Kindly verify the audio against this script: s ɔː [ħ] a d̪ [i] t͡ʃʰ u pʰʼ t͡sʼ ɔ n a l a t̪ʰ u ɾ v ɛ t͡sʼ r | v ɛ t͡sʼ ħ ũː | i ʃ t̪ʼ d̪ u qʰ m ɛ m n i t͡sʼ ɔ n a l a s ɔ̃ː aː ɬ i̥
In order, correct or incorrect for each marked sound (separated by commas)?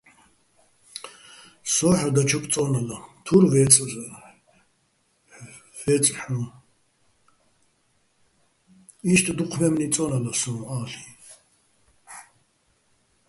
correct, incorrect